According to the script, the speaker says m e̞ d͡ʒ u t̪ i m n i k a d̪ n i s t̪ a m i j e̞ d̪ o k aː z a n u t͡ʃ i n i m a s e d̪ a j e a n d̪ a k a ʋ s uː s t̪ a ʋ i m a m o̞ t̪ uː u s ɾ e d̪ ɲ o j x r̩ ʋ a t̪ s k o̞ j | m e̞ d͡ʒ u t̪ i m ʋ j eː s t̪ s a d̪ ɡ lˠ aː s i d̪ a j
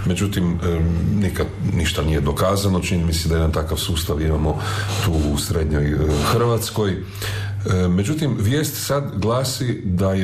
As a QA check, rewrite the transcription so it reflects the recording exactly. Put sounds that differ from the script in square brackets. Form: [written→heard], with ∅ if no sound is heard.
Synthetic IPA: m e̞ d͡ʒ u t̪ i m n i k a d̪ n i [s→ʃ] t̪ a [m→n] i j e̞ d̪ o k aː z a n [u→o] t͡ʃ i n i m [a→i] s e d̪ a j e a n [d̪→t̪] a k a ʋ s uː s t̪ a ʋ i m a m o̞ t̪ uː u s ɾ e d̪ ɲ o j x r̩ ʋ a t̪ s k o̞ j | m e̞ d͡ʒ u t̪ i m ʋ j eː s t̪ s a d̪ ɡ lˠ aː s i d̪ a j